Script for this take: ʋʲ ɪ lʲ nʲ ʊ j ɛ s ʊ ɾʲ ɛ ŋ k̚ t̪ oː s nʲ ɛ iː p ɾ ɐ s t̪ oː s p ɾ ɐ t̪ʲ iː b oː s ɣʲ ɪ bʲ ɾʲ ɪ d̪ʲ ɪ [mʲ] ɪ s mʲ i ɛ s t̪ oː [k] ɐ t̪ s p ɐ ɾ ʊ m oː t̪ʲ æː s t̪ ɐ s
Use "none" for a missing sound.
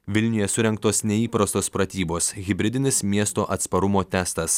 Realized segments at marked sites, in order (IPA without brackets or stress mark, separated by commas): nʲ, ʔ